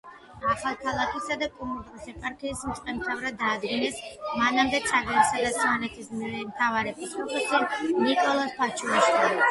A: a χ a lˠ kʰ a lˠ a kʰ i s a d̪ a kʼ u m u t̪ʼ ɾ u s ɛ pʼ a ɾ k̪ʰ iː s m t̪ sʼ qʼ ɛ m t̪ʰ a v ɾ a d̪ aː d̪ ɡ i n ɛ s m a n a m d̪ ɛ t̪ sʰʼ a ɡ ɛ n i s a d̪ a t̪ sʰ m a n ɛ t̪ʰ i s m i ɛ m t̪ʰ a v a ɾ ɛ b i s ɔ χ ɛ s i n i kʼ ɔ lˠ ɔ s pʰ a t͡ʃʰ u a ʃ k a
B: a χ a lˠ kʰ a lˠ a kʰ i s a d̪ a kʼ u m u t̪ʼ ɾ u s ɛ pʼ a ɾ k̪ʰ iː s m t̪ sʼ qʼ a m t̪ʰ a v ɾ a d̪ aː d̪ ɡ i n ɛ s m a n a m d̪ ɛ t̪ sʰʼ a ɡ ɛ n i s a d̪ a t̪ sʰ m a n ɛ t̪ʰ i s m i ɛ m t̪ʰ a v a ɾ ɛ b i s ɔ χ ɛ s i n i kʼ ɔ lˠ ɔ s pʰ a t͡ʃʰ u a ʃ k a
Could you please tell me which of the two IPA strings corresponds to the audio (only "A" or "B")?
A